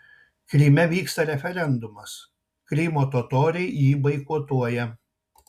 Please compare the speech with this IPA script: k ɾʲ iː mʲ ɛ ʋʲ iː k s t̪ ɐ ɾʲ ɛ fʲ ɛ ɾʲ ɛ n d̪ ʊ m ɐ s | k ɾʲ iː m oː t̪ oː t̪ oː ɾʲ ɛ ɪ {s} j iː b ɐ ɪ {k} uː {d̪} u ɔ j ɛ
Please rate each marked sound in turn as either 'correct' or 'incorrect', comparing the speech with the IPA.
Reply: incorrect: none, correct, incorrect: t̪

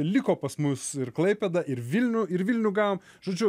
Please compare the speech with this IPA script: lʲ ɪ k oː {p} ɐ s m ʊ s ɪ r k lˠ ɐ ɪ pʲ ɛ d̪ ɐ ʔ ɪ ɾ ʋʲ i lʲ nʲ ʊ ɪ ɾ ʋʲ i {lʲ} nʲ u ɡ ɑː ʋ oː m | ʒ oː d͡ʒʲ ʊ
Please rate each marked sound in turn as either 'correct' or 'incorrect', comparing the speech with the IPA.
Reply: correct, correct

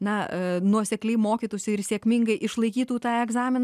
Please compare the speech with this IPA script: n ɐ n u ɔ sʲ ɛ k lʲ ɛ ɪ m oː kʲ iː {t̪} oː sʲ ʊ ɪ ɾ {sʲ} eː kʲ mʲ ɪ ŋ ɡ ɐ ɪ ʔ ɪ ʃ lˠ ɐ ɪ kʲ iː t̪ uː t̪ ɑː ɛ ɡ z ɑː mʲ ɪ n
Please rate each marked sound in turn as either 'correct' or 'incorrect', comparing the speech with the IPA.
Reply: correct, correct

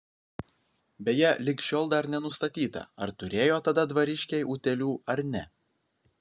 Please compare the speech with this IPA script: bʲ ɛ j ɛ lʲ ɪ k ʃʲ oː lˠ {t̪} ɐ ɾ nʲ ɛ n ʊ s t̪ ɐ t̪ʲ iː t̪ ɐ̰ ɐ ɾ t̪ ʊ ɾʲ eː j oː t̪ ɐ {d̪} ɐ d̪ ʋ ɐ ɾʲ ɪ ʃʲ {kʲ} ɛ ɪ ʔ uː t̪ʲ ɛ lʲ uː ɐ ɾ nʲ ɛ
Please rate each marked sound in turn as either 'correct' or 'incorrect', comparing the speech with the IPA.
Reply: incorrect: d̪, correct, correct

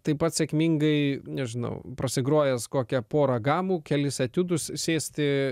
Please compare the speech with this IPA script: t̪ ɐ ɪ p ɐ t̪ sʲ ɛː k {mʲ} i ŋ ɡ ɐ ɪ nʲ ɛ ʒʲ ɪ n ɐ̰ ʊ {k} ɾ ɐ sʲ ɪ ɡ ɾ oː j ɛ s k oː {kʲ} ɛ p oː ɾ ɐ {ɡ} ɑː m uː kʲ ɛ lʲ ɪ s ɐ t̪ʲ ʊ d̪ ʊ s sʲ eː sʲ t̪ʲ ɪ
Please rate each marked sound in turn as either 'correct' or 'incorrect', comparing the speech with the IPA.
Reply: correct, incorrect: p, correct, correct

